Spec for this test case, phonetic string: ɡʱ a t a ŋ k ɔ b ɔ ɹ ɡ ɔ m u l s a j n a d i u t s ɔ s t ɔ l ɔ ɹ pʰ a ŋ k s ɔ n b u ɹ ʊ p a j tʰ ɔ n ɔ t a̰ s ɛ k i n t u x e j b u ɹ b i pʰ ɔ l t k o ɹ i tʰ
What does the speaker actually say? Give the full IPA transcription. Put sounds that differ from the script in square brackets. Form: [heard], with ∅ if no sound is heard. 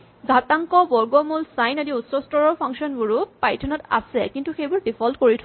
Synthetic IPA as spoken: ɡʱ a t a ŋ k ɔ b ɔ ɹ ɡ ɔ m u l s a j n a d i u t s ɔ s t ɔ [ɹ] ɔ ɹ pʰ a ŋ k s ɔ n b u ɹ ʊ p a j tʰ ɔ n ɔ t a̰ s ɛ k i n t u x e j b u ɹ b i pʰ ɔ l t k o ɹ i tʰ